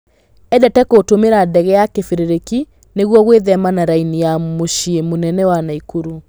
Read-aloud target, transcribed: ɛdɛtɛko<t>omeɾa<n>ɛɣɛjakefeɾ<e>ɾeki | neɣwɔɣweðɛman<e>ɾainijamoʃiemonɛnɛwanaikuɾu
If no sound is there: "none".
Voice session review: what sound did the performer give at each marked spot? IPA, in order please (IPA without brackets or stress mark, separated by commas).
t, d, e, a